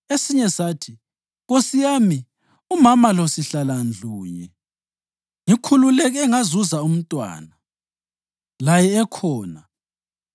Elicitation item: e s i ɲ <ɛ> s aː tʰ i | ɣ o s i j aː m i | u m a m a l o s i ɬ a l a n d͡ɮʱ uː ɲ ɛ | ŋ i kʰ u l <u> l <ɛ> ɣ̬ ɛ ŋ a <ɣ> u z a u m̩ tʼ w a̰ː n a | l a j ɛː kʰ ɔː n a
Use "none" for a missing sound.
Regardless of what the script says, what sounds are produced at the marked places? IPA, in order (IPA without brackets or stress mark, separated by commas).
ɛ, u, ɛ, z